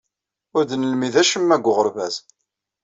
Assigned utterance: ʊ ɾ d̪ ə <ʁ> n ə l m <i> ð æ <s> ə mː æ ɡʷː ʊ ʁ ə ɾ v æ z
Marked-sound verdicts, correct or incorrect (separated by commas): incorrect, correct, incorrect